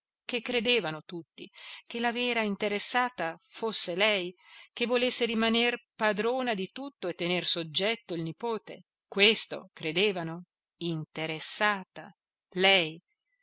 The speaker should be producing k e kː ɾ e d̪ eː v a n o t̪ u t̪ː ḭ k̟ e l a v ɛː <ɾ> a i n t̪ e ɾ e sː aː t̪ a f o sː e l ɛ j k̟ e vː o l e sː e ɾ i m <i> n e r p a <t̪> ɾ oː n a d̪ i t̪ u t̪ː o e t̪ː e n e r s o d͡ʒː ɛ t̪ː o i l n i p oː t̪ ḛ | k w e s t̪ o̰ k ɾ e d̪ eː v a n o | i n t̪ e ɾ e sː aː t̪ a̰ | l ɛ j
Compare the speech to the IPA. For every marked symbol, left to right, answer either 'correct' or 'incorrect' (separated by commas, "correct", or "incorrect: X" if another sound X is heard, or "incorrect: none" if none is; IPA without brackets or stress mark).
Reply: correct, incorrect: a, incorrect: d̪